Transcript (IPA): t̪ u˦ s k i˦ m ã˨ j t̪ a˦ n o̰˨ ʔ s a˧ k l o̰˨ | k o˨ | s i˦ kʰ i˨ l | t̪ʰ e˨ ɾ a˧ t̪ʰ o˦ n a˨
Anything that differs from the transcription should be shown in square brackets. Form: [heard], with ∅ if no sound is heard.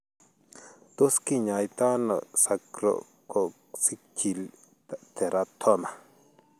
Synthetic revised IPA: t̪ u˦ s k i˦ [ɲ] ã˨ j t̪ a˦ n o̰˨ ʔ s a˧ k [ɾ] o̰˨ | k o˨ | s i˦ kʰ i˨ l | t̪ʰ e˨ ɾ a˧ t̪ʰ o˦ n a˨